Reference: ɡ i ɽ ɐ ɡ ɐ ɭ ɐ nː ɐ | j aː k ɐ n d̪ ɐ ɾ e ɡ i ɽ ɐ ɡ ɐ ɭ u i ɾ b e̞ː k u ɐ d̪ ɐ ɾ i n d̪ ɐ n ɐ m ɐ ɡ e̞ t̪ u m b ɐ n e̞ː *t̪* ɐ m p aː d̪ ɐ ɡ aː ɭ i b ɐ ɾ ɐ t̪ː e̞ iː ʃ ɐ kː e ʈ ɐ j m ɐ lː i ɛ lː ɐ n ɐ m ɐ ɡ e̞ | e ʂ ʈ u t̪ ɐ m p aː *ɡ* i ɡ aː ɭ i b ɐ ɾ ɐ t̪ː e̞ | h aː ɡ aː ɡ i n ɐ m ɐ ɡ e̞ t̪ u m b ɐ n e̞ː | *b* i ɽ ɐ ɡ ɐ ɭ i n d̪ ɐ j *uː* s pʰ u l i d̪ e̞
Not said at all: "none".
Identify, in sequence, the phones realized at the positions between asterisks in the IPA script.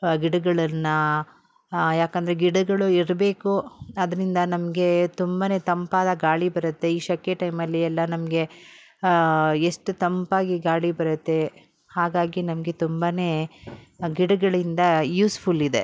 t̪, ɡ, ɡ, uː

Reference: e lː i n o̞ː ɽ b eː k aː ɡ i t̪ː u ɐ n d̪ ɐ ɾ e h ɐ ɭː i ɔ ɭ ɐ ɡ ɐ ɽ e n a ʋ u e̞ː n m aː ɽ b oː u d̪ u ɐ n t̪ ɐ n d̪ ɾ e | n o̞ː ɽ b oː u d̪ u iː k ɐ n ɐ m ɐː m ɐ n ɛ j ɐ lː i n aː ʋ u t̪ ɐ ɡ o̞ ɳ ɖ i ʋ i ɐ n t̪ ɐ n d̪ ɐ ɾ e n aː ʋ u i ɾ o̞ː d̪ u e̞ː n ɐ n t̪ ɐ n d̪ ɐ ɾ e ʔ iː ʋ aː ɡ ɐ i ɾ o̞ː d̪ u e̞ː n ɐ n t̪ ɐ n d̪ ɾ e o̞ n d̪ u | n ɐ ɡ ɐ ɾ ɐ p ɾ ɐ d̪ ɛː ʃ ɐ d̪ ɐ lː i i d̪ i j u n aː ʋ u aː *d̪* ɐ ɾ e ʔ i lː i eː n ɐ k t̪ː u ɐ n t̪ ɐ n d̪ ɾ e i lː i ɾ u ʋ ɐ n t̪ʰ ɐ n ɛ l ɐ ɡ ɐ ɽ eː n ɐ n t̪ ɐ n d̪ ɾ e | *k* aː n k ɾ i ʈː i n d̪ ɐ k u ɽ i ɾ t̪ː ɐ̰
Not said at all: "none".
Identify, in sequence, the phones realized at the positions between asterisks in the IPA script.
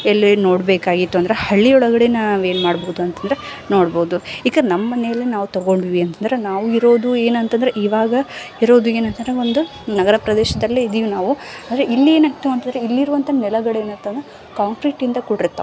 d̪, k

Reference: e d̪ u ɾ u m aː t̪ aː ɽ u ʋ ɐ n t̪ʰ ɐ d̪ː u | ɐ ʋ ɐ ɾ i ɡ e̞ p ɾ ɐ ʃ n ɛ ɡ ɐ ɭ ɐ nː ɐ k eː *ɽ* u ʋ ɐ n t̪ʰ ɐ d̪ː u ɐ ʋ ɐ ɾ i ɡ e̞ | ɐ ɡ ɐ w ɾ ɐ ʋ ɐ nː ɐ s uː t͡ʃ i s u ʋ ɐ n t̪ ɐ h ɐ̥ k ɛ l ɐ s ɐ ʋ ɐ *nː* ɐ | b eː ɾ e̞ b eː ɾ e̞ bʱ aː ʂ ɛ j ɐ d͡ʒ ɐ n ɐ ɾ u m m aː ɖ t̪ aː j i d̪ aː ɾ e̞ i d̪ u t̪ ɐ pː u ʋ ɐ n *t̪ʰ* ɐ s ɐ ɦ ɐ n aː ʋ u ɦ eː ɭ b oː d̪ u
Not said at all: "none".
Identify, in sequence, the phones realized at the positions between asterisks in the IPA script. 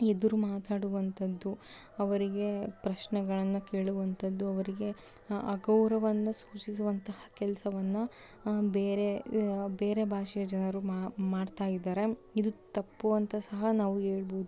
ɭ, nː, t̪

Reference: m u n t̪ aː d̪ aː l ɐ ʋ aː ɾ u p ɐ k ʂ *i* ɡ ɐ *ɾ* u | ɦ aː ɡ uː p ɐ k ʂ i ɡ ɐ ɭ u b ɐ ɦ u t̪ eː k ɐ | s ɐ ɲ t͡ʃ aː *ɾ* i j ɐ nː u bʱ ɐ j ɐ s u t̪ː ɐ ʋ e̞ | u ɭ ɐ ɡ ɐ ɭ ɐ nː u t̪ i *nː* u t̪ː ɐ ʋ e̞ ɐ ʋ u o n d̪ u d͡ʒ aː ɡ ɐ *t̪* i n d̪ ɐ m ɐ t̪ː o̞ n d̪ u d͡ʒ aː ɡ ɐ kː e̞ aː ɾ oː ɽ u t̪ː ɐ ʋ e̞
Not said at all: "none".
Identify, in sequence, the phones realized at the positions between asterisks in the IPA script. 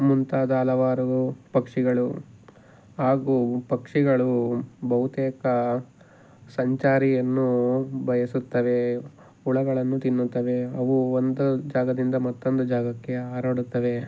i, ɭ, ɾ, nː, d̪

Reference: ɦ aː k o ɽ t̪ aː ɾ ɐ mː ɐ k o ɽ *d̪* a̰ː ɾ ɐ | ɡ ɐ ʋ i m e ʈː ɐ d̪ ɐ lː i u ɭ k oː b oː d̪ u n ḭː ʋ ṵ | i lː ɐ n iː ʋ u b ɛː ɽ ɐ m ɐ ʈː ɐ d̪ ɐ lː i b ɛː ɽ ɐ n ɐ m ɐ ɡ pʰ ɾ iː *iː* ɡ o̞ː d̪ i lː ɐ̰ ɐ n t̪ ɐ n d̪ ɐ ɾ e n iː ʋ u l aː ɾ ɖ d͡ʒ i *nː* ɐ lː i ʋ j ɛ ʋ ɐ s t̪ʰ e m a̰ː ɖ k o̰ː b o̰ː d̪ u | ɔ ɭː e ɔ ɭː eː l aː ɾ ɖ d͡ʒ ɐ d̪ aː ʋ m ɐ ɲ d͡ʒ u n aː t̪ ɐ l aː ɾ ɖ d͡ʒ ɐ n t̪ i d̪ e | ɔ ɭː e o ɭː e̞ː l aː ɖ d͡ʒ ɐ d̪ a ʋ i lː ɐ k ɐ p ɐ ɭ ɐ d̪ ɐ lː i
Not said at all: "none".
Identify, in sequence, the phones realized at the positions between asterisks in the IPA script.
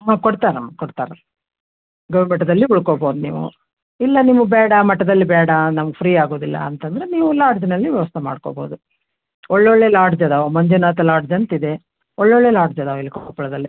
t̪, aː, n

